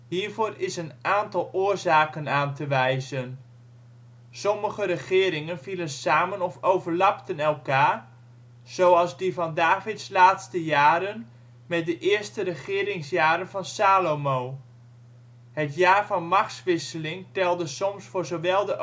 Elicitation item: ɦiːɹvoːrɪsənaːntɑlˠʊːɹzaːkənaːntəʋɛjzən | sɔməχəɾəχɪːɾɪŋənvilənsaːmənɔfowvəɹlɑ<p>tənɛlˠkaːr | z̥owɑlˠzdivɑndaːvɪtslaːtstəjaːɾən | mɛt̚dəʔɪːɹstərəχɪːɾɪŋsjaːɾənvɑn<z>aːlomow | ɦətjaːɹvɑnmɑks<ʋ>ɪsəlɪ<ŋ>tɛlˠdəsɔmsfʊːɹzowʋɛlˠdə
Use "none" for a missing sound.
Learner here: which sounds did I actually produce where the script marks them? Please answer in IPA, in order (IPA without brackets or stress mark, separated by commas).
p, s, ʋ, ŋ